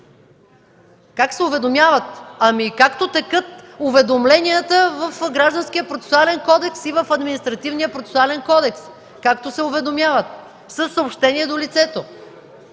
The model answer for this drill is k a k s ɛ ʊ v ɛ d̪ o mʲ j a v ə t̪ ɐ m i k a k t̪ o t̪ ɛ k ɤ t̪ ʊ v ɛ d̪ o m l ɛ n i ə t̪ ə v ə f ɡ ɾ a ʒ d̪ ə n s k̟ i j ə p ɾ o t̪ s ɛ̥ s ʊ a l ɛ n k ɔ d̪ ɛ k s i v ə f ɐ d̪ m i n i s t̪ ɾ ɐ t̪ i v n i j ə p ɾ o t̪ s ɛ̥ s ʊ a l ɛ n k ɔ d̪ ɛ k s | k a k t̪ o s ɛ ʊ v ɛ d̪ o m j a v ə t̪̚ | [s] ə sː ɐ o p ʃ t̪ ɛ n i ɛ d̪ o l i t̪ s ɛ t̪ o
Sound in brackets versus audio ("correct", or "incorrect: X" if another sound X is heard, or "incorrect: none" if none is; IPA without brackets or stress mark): correct